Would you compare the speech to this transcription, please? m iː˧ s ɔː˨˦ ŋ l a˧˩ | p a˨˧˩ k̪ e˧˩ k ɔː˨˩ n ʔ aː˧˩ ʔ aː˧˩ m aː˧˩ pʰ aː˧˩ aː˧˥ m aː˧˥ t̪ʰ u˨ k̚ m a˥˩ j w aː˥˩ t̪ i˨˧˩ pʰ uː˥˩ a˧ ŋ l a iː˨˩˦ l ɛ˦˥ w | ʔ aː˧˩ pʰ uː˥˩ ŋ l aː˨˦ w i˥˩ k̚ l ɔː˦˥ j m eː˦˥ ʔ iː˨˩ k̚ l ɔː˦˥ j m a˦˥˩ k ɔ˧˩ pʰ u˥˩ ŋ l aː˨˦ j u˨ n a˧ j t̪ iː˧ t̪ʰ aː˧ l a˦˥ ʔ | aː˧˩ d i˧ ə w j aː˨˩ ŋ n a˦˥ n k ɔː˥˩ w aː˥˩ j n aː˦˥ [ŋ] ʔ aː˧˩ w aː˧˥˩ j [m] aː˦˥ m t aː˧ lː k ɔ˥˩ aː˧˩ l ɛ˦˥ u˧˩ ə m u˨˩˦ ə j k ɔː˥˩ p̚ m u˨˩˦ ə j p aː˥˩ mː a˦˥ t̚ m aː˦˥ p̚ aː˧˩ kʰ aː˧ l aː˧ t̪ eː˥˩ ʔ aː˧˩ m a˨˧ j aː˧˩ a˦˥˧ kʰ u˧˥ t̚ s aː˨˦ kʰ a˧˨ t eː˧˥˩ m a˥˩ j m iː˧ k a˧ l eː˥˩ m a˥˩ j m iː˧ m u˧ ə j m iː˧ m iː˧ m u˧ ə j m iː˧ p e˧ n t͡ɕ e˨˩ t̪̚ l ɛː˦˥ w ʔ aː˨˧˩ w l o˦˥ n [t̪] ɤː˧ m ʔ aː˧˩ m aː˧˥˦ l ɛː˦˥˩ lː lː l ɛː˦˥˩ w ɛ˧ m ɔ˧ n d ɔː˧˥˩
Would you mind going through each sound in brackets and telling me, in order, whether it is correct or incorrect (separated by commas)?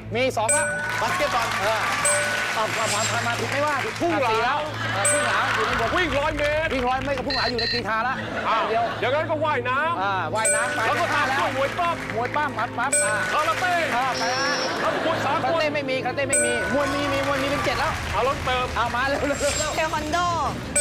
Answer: incorrect, incorrect, correct